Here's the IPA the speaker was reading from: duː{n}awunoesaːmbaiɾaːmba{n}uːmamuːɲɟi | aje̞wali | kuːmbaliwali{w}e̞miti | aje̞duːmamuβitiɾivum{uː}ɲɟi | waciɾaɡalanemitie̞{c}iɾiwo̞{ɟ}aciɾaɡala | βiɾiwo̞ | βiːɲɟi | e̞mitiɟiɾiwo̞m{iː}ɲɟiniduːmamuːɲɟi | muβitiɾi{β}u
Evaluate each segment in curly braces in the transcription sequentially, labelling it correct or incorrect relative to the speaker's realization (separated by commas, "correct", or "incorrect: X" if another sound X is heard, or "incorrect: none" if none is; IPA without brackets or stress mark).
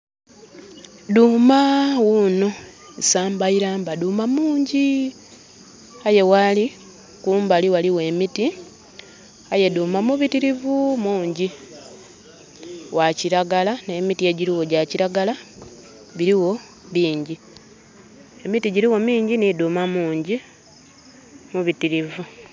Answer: incorrect: m, incorrect: d, correct, correct, incorrect: ɟ, correct, correct, incorrect: v